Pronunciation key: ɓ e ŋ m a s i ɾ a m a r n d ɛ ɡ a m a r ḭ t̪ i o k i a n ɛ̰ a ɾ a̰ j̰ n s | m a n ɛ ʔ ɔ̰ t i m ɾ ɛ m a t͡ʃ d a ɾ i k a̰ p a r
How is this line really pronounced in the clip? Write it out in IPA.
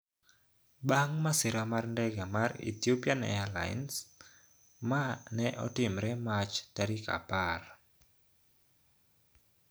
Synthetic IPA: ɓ a ŋ m a s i ɾ a m a r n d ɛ ɡ a m a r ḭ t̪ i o p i a n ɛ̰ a l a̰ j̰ n s | m a n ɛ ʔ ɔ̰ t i m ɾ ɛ m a t͡ʃ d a ɾ i k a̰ p a r